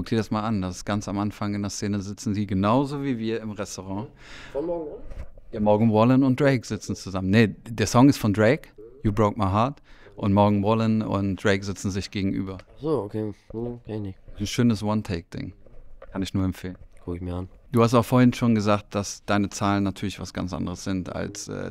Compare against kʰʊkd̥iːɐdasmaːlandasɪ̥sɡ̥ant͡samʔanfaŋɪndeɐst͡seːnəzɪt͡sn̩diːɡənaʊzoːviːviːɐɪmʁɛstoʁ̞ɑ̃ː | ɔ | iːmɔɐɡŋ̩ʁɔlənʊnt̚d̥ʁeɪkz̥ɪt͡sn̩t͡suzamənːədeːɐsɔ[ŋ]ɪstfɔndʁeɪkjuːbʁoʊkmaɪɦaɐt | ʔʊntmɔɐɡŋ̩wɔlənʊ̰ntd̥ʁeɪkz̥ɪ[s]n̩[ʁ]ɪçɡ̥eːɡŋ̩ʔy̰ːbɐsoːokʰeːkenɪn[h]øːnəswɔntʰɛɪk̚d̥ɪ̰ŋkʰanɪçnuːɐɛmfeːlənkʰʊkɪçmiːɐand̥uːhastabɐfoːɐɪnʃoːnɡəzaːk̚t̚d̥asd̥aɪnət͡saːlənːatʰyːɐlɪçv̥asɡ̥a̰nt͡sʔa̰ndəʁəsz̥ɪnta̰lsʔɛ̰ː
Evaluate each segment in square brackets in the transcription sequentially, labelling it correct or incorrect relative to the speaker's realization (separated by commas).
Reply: correct, incorrect, incorrect, incorrect